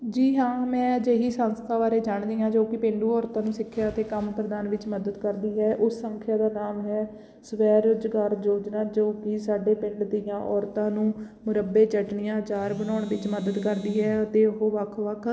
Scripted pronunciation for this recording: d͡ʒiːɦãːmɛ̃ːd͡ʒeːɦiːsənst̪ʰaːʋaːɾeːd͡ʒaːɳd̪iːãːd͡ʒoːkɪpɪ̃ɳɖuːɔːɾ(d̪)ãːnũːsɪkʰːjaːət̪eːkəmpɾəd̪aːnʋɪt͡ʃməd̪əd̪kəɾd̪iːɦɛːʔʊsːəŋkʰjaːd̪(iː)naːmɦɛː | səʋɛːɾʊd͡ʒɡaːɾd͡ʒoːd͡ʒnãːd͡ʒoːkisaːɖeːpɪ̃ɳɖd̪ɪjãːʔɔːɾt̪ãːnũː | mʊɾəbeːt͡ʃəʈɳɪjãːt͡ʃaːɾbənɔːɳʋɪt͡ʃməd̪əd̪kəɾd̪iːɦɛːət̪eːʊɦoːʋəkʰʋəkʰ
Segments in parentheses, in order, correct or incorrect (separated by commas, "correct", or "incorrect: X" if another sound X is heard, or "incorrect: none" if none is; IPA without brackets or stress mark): incorrect: t̪, incorrect: aː